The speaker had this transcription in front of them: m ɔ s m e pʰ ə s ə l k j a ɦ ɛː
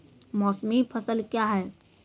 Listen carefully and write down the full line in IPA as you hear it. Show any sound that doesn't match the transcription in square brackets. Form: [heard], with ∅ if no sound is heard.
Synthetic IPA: m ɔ s m [i] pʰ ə s ə l k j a ɦ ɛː